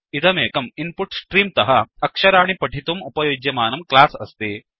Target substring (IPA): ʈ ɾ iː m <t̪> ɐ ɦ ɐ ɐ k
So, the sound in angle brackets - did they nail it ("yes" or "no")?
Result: yes